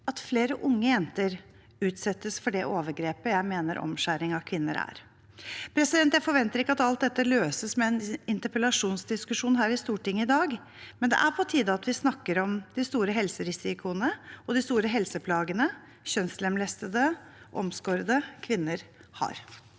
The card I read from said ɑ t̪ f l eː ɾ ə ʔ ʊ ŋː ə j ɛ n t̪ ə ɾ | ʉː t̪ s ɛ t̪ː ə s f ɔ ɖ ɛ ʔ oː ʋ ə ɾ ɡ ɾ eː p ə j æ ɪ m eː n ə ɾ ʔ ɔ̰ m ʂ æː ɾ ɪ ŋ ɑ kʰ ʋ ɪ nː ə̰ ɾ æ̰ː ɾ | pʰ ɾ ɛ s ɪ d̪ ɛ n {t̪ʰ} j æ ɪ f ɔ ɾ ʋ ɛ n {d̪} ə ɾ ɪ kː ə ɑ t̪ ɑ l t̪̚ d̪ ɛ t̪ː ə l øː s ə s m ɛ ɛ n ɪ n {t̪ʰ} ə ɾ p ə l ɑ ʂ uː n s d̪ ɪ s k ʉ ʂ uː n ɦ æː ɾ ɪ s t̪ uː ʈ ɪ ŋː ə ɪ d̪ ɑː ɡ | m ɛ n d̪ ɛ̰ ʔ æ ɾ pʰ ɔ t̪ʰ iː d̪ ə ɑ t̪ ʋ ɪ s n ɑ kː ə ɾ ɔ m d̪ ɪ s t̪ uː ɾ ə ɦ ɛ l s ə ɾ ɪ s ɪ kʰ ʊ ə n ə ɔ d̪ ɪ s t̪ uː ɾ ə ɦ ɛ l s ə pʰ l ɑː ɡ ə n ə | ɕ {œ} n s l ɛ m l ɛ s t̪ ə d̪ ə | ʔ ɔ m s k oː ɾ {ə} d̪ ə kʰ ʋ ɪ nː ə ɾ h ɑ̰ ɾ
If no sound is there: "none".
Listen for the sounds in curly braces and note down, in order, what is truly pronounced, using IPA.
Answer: t̪, t̪, t̪, œ, ə

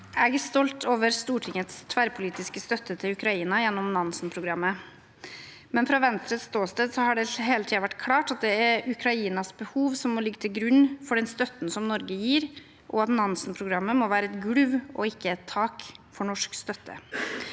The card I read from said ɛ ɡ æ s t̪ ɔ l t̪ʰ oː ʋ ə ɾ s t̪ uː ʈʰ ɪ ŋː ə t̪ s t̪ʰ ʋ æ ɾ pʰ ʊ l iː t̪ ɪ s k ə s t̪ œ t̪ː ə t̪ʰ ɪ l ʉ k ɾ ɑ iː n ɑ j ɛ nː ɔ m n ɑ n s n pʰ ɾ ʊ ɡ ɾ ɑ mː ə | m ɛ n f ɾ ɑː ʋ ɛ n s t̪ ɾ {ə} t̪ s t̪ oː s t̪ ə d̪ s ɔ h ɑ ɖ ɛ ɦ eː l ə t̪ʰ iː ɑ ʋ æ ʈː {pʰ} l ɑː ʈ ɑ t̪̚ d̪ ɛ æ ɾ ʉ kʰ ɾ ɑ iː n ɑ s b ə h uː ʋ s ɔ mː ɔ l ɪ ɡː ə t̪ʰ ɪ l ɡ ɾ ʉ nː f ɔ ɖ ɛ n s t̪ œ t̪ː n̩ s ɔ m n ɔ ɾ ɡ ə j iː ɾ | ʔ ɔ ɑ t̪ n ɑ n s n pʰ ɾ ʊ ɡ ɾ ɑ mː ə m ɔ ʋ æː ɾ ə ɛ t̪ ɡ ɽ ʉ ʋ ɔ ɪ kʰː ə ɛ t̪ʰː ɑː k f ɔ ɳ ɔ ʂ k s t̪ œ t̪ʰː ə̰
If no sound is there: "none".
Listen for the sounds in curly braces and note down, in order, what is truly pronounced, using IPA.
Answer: ə, kʰ

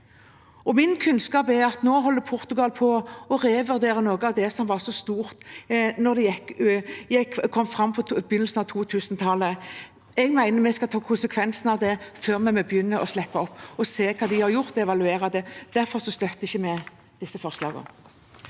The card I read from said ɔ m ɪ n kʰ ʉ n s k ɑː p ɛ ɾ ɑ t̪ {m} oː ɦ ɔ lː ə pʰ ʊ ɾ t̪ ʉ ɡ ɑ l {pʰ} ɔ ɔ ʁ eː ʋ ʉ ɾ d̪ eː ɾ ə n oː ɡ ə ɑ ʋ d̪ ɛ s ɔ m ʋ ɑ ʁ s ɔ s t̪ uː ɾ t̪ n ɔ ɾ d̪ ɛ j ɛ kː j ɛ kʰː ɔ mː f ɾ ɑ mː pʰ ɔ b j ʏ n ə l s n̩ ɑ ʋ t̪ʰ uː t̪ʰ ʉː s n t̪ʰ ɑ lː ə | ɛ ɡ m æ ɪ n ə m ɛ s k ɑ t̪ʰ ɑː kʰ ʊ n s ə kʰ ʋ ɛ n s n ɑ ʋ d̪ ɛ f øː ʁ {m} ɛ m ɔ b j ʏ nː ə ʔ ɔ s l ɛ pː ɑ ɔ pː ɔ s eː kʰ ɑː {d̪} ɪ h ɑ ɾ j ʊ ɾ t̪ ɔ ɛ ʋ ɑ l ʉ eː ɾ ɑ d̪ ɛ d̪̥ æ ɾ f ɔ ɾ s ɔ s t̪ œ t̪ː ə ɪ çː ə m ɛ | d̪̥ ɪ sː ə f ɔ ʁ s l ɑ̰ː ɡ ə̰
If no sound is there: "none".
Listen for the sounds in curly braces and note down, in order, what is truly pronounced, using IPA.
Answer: n, pʰ, m, d̪

